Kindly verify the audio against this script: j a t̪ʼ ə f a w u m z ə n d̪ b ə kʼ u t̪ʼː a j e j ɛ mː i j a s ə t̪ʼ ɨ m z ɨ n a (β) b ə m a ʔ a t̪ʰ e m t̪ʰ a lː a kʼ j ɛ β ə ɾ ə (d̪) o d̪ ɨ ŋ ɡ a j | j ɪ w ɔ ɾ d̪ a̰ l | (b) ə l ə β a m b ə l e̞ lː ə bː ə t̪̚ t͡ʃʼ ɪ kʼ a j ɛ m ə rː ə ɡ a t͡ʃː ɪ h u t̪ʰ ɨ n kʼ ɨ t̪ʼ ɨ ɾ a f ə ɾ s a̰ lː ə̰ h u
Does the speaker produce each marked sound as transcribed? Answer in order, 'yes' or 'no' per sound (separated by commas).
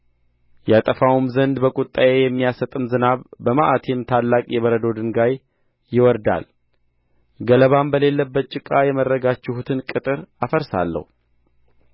yes, yes, no